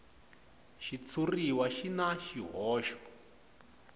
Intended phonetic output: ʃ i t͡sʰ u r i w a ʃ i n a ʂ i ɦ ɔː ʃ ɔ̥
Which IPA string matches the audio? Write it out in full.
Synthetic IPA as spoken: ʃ i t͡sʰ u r i w a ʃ i n a ʃ i ɦ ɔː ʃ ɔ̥

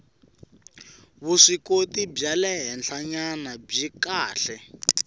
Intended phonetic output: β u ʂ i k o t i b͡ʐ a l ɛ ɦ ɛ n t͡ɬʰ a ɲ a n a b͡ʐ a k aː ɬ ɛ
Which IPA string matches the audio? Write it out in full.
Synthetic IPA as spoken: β u ʂ i k o t i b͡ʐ a l ɛ ɦ ɛ n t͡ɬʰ a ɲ a n a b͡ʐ i k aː ɬ ɛ

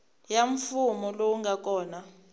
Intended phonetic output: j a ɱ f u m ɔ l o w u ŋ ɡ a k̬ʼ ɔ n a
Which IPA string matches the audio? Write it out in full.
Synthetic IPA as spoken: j a ɱ f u m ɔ l o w u ŋ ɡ a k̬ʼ ɔː n a

